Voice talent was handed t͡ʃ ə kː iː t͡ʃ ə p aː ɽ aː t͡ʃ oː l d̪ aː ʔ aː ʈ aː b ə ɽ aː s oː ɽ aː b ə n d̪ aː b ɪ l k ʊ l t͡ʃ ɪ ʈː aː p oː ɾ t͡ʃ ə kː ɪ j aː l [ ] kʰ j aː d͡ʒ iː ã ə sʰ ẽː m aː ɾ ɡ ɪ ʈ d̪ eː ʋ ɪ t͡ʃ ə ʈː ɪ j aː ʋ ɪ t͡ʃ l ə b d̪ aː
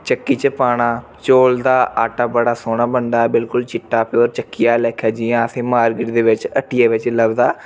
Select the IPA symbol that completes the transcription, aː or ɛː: ɛː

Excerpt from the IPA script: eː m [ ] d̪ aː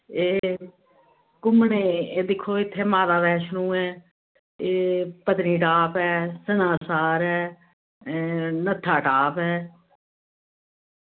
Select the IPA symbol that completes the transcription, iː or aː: aː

